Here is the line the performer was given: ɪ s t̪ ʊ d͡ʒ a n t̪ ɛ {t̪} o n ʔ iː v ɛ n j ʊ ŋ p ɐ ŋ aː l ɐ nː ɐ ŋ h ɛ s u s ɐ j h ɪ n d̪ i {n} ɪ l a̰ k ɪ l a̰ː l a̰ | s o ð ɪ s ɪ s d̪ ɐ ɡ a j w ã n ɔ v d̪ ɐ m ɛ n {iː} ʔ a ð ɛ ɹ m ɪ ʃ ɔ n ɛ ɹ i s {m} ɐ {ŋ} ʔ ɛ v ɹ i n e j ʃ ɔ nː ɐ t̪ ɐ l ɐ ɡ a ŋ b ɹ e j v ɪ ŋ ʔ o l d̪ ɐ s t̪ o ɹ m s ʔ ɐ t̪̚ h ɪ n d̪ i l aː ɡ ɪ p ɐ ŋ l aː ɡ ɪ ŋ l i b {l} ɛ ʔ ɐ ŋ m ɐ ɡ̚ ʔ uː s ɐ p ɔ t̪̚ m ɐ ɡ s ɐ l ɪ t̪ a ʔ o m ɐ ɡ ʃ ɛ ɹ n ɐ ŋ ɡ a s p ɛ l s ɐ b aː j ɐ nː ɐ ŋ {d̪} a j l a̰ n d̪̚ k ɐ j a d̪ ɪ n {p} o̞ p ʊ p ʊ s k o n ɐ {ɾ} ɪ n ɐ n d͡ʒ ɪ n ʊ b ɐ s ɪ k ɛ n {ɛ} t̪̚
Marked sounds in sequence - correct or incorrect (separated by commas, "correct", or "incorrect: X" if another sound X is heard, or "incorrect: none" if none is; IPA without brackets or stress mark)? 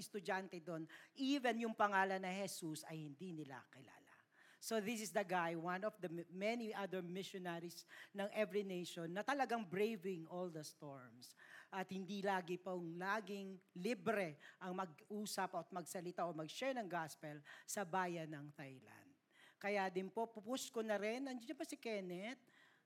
incorrect: d̪, correct, incorrect: i, incorrect: n, correct, incorrect: ɾ, incorrect: t̪, correct, correct, correct